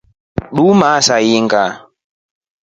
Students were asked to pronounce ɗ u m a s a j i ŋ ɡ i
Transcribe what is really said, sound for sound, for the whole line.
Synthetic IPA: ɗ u m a s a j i ŋ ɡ a